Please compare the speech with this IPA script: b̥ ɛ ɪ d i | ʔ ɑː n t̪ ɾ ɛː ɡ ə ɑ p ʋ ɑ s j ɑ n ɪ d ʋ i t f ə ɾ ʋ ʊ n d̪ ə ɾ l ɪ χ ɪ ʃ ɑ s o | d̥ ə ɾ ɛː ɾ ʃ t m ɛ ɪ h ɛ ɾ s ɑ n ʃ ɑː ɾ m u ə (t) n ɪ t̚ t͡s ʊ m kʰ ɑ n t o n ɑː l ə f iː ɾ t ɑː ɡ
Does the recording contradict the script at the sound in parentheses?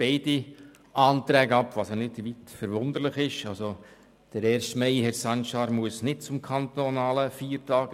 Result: yes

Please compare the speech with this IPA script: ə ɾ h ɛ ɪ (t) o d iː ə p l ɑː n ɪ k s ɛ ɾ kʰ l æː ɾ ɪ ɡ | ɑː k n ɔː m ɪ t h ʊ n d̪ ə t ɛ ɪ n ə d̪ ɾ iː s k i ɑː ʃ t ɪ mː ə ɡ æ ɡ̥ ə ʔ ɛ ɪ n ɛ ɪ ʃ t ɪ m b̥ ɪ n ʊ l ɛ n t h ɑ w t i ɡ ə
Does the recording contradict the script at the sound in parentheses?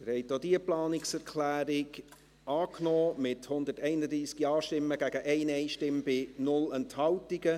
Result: no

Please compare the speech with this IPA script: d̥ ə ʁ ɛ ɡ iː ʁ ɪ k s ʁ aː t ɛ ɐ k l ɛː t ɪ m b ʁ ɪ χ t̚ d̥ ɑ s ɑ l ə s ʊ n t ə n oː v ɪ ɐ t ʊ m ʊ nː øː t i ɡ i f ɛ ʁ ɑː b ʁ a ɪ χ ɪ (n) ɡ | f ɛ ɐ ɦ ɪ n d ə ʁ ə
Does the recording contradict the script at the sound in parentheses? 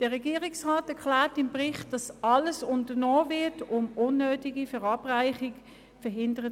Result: yes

